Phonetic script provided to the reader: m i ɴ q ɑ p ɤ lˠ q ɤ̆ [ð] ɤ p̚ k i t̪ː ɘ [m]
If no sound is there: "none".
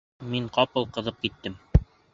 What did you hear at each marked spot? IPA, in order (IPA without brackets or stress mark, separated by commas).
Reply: ð, m